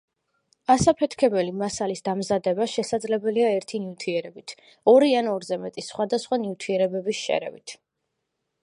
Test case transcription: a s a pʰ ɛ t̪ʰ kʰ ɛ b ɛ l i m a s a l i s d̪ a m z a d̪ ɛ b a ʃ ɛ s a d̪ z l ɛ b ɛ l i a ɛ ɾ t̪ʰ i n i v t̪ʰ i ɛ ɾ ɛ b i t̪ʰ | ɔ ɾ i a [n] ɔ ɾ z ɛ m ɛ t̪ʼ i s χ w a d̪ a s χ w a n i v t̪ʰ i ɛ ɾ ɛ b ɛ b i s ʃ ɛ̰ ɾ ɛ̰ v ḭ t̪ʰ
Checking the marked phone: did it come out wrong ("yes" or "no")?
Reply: no